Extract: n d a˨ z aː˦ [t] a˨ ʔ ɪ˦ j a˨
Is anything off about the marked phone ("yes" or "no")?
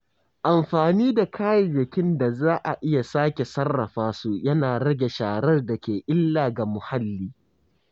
yes